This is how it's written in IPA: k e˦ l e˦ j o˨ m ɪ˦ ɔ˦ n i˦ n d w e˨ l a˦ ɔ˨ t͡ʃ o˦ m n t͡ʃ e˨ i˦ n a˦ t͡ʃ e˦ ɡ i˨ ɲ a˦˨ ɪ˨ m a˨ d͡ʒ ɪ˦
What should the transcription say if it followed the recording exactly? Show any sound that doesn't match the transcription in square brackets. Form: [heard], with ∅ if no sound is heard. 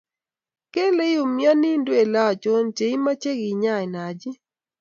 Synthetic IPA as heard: k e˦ l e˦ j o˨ m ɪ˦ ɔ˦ n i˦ n d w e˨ l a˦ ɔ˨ t͡ʃ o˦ [∅] n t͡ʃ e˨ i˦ [m] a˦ t͡ʃ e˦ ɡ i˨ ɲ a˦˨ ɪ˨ [n] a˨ d͡ʒ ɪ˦

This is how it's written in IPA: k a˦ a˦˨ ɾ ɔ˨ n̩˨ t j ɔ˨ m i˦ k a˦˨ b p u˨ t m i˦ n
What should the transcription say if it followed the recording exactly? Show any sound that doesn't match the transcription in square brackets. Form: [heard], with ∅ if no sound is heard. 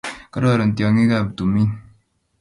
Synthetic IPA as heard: k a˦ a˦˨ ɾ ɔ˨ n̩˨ t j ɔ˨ [ŋ] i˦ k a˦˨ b [t] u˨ [∅] m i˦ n

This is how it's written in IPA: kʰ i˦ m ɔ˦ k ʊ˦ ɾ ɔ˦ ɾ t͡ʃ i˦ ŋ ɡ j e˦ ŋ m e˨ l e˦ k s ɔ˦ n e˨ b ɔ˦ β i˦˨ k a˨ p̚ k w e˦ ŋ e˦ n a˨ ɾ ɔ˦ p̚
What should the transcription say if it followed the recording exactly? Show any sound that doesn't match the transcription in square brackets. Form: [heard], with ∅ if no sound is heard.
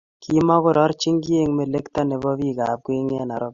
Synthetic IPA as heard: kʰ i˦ m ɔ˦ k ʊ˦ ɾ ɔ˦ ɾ t͡ʃ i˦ ŋ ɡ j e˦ ŋ m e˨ l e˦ k [t] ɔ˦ n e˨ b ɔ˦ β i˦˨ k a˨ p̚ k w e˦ ŋ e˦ n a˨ ɾ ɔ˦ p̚

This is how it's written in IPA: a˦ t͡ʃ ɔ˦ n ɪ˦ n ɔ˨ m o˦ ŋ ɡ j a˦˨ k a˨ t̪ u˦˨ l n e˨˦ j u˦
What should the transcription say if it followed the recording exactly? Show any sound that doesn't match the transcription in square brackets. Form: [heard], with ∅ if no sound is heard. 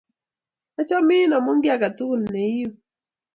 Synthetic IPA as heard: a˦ t͡ʃ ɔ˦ [m] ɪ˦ n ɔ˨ m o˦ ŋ ɡ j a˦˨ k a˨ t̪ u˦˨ l n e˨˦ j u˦

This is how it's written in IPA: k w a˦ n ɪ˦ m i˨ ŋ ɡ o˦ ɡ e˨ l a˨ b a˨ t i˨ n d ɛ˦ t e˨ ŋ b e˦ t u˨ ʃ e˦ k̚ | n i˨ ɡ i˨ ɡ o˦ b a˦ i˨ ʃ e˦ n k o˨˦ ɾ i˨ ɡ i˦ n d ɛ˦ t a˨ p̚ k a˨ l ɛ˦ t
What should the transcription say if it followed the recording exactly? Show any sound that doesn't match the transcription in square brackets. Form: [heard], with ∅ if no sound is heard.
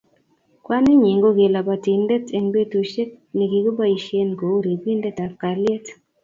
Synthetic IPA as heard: k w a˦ n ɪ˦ [ɲ] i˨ ŋ ɡ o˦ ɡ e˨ l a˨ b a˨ t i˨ n d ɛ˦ t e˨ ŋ b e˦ t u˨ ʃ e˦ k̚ | n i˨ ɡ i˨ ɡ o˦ b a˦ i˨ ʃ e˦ n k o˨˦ ɾ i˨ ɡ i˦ n d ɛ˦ t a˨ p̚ k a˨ l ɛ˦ t

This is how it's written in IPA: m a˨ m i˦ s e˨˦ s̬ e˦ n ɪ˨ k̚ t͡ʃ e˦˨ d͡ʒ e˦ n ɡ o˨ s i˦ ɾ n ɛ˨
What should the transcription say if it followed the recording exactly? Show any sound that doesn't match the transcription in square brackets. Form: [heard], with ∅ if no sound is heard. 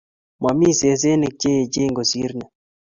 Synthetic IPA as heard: m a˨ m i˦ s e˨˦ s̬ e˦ n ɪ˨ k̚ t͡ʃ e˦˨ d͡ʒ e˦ [ŋ] ɡ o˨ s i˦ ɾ n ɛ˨

